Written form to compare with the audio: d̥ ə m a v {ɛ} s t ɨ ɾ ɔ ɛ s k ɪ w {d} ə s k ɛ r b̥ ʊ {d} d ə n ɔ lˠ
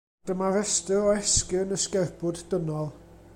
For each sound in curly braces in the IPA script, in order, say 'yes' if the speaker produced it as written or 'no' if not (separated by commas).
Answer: yes, no, yes